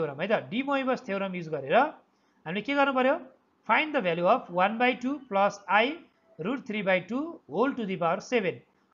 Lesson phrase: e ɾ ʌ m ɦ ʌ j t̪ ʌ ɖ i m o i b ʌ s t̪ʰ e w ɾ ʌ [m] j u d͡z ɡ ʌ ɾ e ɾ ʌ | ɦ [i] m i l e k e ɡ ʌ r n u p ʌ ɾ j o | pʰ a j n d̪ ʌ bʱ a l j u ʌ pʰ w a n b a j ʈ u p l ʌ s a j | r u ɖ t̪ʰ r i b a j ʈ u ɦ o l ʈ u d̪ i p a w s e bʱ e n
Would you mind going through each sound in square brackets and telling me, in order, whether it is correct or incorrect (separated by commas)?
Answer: correct, incorrect